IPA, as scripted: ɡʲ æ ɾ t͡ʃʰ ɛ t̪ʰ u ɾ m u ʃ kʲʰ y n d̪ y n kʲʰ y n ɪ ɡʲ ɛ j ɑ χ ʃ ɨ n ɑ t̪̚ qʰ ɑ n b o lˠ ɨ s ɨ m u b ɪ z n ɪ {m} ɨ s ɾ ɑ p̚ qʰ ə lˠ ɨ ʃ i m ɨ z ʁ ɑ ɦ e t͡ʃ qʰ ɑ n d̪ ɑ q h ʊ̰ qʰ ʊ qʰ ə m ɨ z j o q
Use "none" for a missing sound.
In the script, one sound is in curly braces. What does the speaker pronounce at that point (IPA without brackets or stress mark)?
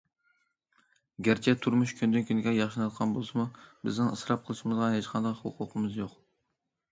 ŋ